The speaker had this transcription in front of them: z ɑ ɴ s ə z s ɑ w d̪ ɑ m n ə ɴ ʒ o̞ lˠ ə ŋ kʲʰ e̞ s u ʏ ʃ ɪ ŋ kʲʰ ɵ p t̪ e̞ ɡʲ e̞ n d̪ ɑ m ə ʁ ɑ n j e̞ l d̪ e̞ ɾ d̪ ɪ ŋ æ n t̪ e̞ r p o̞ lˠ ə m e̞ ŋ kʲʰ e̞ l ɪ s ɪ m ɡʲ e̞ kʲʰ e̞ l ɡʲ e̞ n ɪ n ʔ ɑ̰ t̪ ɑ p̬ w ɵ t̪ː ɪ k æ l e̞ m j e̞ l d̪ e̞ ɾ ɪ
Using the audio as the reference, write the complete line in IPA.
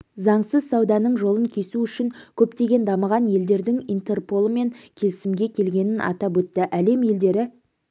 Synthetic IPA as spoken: z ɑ ɴ s ə z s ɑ w d̪ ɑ n ə ɴ ʒ o̞ lˠ ə ŋ kʲʰ e̞ s u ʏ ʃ ɪ ŋ kʲʰ ɵ p t̪ e̞ ɡʲ e̞ n d̪ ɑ m ə ʁ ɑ n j e̞ l d̪ e̞ ɾ d̪ ɪ ŋ i n t̪ e̞ r p o̞ lˠ ə m e̞ ŋ kʲʰ e̞ l ɪ s ɪ m ɡʲ e̞ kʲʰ e̞ l ɡʲ e̞ n ɪ n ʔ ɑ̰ t̪ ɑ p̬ w ɵ t̪ː ɪ ʔ æ l e̞ m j e̞ l d̪ e̞ ɾ ɪ